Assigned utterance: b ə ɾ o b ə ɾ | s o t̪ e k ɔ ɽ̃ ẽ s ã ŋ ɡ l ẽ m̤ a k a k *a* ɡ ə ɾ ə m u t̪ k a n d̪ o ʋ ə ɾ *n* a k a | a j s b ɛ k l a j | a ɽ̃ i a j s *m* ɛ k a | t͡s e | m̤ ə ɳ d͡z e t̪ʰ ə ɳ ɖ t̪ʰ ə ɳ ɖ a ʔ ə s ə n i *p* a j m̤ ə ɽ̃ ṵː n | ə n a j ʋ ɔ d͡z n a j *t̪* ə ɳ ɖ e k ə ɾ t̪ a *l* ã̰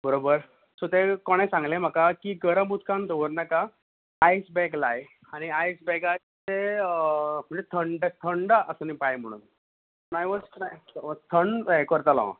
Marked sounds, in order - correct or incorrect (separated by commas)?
incorrect, correct, incorrect, correct, incorrect, correct